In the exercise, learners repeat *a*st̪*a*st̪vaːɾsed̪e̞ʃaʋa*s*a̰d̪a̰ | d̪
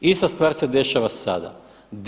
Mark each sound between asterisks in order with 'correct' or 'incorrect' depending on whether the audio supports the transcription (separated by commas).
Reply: incorrect, correct, correct